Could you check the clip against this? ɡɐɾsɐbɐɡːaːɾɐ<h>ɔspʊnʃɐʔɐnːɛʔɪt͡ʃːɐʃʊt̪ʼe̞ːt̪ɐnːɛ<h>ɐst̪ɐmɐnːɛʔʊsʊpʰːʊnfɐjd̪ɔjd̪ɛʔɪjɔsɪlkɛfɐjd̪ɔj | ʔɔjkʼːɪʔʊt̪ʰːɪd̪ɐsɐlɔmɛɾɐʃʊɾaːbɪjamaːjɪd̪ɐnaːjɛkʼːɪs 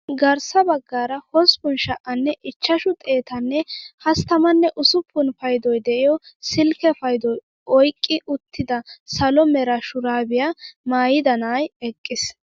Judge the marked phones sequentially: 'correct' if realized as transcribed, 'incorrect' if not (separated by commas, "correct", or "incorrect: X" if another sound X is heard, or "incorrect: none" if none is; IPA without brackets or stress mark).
correct, correct